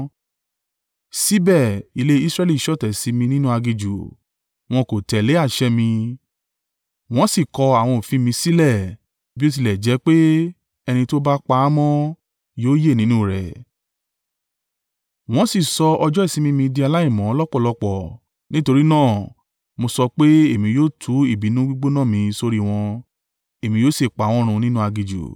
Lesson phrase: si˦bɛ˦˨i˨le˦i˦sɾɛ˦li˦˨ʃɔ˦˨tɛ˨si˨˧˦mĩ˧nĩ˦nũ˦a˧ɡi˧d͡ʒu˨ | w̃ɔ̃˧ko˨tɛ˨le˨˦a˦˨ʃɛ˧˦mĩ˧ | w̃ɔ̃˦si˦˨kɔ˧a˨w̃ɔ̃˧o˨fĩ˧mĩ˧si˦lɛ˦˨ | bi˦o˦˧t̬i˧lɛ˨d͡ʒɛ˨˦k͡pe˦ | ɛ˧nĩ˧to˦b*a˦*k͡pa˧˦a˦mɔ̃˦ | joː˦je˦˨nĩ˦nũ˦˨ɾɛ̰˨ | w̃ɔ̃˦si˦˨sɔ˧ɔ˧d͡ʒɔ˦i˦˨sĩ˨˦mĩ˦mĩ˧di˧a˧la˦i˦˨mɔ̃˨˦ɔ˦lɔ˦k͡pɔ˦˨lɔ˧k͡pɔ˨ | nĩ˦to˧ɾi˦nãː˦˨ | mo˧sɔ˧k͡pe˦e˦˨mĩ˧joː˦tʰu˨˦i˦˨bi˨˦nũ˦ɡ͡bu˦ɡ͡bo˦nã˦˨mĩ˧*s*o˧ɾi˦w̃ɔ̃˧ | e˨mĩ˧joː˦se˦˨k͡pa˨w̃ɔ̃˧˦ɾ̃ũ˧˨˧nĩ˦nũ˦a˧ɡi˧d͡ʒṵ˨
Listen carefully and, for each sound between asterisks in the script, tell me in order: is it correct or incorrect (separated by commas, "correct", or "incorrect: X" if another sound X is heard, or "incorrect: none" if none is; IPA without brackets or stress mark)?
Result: correct, correct